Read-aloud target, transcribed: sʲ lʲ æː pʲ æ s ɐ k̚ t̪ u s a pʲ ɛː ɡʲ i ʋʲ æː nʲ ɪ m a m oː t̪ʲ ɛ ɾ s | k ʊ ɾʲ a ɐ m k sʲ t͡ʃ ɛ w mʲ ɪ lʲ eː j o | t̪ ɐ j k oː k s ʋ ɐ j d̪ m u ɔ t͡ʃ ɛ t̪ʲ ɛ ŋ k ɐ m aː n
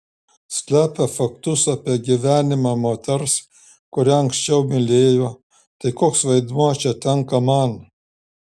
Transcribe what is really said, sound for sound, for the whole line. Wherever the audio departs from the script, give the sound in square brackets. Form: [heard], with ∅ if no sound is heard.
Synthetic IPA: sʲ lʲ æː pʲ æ [f] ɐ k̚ t̪ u s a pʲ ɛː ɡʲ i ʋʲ æː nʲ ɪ m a m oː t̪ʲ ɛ ɾ s | k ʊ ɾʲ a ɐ [ŋ] k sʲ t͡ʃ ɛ w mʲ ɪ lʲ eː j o | t̪ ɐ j k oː k s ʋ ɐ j d̪ m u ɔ t͡ʃ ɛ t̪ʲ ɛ ŋ k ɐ m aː n